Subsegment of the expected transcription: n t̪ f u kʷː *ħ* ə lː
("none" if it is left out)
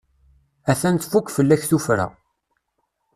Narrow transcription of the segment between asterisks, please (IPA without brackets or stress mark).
f